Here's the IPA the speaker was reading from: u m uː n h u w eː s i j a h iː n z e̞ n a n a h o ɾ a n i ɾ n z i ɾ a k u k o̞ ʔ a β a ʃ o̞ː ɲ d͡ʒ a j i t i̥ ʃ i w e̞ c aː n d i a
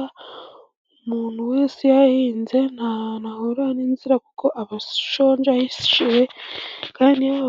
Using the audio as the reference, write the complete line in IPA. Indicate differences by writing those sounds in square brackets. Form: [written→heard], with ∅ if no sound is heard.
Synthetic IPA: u m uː n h u w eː s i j a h iː n z e̞ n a n a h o ɾ a n i [ɾ→∅] n z i ɾ a k u k o̞ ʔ a β a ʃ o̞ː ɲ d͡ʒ a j i [t→s] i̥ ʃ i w e̞ [c→k] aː n d i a